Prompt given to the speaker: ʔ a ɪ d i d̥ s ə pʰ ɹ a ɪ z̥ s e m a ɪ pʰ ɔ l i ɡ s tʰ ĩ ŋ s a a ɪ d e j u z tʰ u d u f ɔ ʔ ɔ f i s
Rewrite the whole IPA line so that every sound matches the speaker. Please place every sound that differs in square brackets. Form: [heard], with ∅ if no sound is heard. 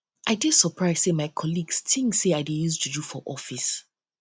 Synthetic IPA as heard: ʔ a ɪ d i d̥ s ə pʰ ɹ a ɪ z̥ s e m a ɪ [kʰ] ɔ l i ɡ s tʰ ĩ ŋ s [e] a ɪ d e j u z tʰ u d u f ɔ ʔ ɔ f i s